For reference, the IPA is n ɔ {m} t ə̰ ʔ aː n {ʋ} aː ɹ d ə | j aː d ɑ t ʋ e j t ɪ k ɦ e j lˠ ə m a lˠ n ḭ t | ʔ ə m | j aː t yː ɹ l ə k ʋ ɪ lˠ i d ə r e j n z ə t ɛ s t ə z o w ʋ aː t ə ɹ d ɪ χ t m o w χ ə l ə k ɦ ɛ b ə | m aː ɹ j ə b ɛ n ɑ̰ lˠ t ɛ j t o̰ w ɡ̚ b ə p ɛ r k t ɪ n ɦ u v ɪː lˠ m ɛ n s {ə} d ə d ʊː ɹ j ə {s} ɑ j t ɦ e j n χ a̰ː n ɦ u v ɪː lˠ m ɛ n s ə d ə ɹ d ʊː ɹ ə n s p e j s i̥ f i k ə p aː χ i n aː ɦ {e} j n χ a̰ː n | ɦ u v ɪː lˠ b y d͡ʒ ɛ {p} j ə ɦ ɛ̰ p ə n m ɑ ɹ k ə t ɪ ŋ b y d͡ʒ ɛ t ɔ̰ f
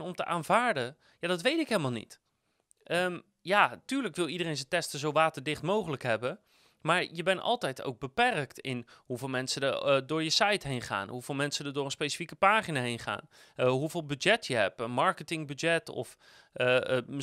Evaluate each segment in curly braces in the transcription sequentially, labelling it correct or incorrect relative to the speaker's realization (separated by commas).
correct, incorrect, correct, correct, correct, incorrect